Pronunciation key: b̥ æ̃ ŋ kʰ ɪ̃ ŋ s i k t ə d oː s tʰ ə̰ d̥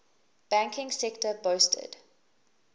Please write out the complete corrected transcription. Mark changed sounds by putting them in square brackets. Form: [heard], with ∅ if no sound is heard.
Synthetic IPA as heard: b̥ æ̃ ŋ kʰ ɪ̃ ŋ s [ɛ] k t ə [b] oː s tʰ ə̰ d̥